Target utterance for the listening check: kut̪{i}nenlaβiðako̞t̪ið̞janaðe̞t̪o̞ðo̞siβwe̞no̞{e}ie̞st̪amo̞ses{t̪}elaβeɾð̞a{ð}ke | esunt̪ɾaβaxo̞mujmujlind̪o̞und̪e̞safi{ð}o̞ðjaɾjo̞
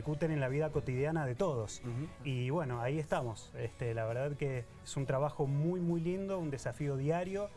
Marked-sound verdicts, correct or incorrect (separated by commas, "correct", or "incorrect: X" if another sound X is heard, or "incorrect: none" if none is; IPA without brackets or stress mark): incorrect: e, incorrect: a, correct, correct, incorrect: none